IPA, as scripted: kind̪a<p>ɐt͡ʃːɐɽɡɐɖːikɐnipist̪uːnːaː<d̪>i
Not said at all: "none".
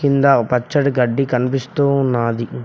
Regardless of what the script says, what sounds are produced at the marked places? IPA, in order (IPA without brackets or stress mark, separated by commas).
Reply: p, d̪